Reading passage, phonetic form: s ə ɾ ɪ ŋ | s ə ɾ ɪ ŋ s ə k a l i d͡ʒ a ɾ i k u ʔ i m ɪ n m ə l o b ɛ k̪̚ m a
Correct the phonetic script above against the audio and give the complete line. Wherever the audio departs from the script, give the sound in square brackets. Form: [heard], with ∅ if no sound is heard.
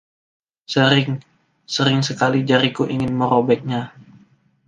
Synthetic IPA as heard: s ə ɾ ɪ ŋ | s ə ɾ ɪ ŋ s ə k a l i d͡ʒ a ɾ i k u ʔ i [ŋ] ɪ n m ə [ɾ] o b ɛ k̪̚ [ɲ] a